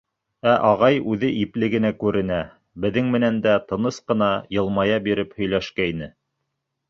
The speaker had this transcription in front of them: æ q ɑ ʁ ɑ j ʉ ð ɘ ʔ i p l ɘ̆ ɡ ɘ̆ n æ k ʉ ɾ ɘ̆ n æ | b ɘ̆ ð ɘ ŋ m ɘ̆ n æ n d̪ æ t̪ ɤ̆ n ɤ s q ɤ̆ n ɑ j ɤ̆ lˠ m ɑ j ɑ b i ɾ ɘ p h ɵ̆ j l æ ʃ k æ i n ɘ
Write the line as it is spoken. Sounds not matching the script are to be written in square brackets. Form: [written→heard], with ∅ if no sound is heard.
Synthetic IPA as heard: æ [q→ʔ] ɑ ʁ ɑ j ʉ ð ɘ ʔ i p l ɘ̆ ɡ ɘ̆ n æ k ʉ ɾ ɘ̆ n æ | b ɘ̆ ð ɘ ŋ m ɘ̆ n æ n d̪ æ t̪ ɤ̆ n ɤ s q ɤ̆ n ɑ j ɤ̆ lˠ m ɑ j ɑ b i ɾ ɘ p h ɵ̆ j l æ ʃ k æ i n ɘ